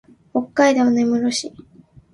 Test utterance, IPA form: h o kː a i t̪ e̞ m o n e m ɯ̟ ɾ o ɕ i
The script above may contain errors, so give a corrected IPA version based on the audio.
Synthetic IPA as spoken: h o kː a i d̪ e̞ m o n e m ɯ̟ ɾ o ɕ i